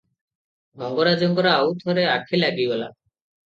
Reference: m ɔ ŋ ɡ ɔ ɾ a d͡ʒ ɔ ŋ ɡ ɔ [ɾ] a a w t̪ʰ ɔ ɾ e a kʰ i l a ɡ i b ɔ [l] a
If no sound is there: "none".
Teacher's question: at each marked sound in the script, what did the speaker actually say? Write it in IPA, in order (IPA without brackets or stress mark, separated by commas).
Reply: ɾ, l